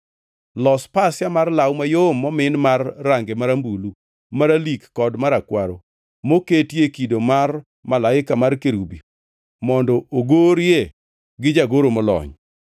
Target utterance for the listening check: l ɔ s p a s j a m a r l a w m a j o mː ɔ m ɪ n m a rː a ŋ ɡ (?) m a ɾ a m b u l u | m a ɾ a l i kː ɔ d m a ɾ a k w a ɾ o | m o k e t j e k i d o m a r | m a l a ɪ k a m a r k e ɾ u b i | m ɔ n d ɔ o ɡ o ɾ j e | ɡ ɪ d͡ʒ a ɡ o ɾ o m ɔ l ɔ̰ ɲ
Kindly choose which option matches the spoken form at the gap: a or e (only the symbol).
e